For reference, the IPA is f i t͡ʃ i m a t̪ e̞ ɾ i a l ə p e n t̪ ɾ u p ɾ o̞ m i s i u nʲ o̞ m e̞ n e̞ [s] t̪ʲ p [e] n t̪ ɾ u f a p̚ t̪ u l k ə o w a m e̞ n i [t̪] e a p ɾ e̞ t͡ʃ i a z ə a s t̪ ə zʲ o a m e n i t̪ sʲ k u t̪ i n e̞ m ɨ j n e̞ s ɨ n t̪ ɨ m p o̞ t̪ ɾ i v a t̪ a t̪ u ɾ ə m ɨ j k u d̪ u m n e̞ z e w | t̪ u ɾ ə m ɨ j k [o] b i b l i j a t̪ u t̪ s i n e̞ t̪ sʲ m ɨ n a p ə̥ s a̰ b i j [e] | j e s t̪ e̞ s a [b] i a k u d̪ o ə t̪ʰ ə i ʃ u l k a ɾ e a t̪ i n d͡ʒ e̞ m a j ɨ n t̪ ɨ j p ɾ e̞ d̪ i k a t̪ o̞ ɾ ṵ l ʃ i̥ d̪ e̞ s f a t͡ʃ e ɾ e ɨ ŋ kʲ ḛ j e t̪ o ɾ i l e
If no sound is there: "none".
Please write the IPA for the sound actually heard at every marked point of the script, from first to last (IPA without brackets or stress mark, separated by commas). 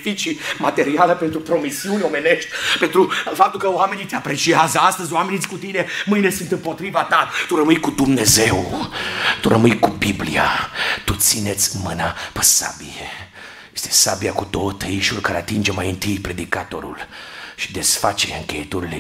ʃ, e, t̪, u, e, b